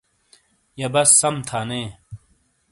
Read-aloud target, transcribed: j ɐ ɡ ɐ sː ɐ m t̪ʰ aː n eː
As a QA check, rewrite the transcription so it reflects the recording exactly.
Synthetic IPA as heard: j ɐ b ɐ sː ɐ m t̪ʰ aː n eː

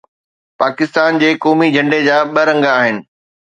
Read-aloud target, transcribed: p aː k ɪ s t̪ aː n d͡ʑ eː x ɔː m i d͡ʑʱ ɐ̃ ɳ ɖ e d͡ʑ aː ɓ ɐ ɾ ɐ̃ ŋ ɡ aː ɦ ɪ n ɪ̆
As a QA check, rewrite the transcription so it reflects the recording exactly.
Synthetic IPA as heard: p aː k ɪ s t̪ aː n d͡ʑ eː k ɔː m i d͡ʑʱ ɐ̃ ɳ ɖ e d͡ʑ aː ɓ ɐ ɾ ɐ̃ ŋ ɡ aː ɦ ɪ n ɪ̆

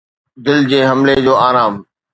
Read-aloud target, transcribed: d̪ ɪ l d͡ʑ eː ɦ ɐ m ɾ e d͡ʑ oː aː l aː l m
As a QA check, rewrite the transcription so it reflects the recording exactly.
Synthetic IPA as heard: d̪ ɪ l d͡ʑ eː ɦ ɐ m l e d͡ʑ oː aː ɾ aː m

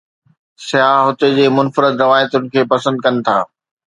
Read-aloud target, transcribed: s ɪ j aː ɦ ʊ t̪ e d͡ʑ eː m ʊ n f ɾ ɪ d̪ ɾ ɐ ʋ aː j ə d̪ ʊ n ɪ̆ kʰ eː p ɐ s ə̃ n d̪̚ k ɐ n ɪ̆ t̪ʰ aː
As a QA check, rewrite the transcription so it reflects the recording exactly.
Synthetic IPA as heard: s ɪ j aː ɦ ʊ t̪ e d͡ʑ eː m ʊ n f ɾ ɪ d̪ ɾ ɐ ʋ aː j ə t̪ ʊ n ɪ̆ kʰ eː p ɐ s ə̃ n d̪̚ k ɐ n ɪ̆ t̪ʰ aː

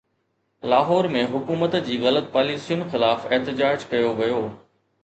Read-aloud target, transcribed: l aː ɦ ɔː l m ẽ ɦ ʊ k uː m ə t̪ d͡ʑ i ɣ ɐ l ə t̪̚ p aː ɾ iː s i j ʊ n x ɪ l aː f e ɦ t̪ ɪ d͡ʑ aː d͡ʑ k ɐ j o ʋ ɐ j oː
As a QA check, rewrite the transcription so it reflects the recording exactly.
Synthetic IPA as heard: l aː ɦ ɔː ɾ m ẽ ɦ ʊ k uː m ə t̪ d͡ʑ iː ɣ ɐ l ə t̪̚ p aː l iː s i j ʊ n x ɪ l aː f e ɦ t̪ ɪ d͡ʑ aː d͡ʑ k ɐ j o ʋ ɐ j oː

